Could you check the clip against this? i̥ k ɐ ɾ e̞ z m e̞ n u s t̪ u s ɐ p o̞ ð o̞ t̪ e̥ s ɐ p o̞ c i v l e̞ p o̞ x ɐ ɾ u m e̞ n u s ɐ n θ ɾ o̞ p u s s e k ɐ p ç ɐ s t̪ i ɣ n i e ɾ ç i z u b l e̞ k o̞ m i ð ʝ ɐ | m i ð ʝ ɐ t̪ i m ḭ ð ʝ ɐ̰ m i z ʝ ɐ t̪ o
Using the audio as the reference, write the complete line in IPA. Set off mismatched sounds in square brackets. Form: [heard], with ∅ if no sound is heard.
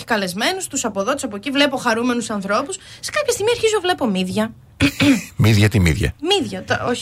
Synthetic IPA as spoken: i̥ k ɐ [l] e̞ z m e̞ n u s t̪ u s ɐ p o̞ ð o̞ t̪ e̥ s ɐ p o̞ c i v l e̞ p o̞ x ɐ ɾ u m e̞ n u s ɐ n θ ɾ o̞ p u s s e k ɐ p ç ɐ s t̪ i ɣ [m] i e ɾ ç i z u [v] l e̞ [p] o̞ m i ð ʝ ɐ | m i ð ʝ ɐ t̪ i m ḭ ð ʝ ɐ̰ m i [ð] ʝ ɐ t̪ o